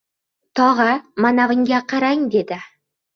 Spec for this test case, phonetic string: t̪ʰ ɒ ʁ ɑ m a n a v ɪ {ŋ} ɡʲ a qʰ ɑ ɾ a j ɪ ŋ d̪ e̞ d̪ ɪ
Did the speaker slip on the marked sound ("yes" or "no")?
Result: no